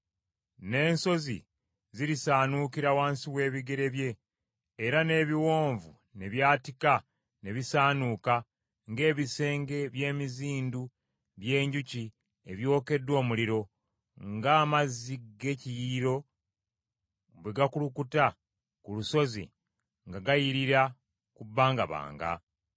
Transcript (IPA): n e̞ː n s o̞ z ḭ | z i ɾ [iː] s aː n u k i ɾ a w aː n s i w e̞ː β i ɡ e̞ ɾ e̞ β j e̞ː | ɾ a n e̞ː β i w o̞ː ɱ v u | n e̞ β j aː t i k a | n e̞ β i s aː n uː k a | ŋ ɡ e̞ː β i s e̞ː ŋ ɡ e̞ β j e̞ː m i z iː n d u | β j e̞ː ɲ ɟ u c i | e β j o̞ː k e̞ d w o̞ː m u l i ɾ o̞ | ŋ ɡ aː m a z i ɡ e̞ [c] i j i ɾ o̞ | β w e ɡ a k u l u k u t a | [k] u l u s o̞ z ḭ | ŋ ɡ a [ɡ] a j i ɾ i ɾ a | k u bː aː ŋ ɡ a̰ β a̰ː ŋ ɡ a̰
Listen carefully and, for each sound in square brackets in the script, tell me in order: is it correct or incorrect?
incorrect, correct, correct, correct

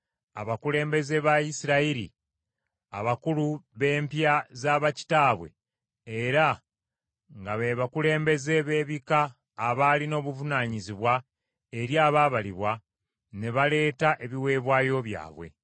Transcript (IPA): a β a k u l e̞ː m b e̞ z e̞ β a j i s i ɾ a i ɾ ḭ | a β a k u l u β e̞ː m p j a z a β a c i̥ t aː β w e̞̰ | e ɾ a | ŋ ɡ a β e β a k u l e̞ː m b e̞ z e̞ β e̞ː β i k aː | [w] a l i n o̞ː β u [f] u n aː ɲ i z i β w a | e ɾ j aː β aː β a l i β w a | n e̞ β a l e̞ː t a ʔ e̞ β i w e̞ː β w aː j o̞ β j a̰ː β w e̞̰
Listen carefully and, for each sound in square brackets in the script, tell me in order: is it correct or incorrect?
incorrect, incorrect

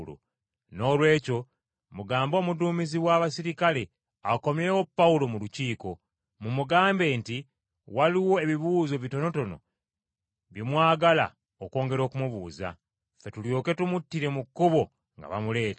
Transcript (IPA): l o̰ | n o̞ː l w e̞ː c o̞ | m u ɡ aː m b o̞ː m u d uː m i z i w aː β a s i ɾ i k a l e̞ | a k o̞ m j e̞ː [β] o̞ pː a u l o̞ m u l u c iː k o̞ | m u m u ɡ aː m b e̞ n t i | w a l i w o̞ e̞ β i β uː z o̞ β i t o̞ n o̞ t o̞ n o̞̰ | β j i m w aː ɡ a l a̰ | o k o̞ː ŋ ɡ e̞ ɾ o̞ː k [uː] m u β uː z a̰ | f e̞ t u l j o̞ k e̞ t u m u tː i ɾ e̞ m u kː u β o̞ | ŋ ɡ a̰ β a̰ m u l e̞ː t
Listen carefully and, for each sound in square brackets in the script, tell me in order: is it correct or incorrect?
incorrect, incorrect

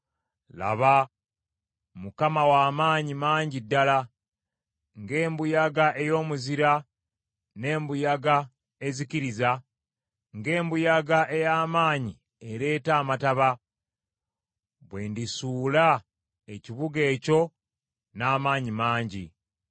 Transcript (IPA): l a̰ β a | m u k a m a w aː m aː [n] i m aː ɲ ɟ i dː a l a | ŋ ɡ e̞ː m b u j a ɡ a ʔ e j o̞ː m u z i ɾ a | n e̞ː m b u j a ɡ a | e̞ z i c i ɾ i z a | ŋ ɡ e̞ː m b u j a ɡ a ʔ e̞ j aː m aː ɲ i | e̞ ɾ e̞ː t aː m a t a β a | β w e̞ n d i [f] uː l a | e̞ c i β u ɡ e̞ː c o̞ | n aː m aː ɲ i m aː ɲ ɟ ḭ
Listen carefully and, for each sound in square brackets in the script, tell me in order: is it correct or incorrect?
incorrect, incorrect

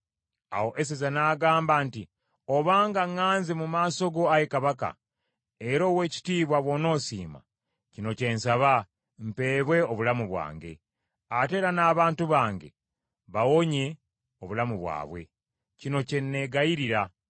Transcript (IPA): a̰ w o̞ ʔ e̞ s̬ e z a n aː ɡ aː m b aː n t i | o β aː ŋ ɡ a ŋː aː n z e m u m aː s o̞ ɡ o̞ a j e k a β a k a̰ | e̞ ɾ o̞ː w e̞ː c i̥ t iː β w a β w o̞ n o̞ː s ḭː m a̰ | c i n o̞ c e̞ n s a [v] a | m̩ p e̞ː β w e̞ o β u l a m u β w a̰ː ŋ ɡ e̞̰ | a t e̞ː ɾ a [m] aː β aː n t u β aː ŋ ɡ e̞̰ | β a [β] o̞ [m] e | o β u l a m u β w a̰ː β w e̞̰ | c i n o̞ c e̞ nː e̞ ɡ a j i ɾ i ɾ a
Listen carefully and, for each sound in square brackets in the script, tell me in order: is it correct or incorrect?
incorrect, incorrect, incorrect, incorrect

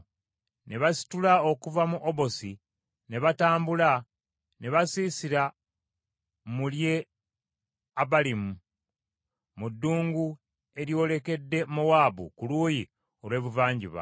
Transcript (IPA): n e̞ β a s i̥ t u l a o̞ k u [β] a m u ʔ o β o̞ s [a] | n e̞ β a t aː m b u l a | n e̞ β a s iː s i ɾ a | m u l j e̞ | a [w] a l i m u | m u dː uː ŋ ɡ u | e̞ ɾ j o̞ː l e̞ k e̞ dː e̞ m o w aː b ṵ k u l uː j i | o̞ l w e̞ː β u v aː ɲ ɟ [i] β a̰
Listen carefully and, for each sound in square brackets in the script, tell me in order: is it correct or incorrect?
incorrect, incorrect, incorrect, correct

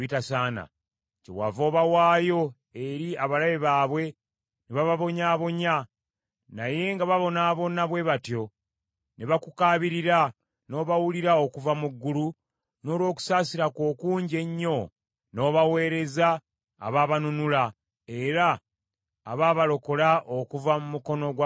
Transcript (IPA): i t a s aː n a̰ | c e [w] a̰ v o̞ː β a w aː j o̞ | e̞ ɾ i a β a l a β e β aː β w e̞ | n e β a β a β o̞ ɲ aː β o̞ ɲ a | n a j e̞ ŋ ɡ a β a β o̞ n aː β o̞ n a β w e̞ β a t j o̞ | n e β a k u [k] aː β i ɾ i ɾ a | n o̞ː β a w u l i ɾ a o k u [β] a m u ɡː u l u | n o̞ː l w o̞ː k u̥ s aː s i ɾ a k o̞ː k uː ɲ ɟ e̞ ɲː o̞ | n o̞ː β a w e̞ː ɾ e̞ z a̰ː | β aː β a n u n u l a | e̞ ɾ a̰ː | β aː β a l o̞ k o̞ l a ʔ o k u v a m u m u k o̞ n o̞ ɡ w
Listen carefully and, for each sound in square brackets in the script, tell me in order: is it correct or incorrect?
correct, correct, incorrect

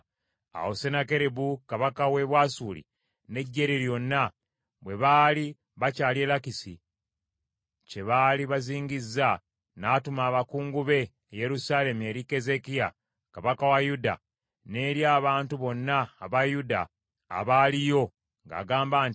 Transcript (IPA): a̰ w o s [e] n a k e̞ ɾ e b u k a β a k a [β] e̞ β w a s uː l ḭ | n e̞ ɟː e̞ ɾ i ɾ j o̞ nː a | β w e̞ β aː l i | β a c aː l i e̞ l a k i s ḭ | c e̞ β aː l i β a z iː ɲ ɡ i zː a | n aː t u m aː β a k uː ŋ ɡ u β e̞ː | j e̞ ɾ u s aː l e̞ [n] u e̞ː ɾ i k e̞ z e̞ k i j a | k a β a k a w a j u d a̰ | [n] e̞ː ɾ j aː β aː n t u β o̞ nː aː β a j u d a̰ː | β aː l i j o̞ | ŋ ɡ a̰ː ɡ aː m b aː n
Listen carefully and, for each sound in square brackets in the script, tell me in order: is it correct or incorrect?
correct, incorrect, incorrect, correct

